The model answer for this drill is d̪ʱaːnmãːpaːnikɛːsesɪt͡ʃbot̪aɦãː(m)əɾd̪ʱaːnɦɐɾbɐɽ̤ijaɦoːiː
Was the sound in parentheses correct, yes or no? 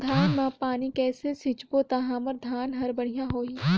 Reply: yes